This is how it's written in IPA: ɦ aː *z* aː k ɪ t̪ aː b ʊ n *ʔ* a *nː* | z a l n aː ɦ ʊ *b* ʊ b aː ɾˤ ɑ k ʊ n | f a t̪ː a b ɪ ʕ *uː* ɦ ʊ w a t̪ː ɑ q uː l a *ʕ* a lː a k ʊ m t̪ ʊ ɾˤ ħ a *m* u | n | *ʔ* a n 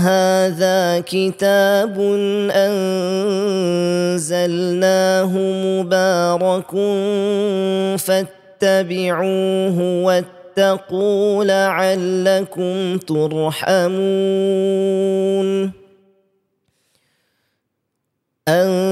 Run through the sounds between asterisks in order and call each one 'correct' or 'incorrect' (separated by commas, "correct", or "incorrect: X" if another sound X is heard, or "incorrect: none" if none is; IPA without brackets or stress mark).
incorrect: ð, correct, incorrect: n, incorrect: m, correct, correct, correct, correct